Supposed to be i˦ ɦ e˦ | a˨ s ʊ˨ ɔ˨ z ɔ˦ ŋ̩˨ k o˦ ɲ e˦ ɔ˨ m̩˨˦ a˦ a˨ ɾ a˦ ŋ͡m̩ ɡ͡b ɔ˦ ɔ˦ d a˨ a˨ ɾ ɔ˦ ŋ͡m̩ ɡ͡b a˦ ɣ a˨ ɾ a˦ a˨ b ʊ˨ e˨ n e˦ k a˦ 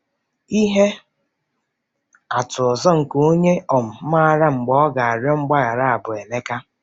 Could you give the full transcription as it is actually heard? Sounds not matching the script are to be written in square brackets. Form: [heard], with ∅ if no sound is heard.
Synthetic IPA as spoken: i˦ ɦ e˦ | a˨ [t] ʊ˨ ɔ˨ z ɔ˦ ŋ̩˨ k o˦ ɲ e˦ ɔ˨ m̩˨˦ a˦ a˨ ɾ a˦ ŋ͡m̩ ɡ͡b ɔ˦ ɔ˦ [ɡ] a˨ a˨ ɾ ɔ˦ ŋ͡m̩ ɡ͡b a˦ ɣ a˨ ɾ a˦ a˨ b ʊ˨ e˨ n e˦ k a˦